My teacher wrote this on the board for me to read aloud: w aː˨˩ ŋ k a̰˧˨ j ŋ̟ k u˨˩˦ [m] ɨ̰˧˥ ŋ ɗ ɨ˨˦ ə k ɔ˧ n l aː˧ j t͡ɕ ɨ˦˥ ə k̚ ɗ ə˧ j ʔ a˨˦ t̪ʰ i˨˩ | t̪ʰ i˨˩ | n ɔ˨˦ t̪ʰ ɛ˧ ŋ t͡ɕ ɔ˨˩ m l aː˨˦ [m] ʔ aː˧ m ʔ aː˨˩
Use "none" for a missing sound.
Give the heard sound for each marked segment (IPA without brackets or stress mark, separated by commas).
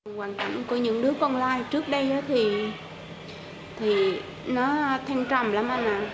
ɲ, m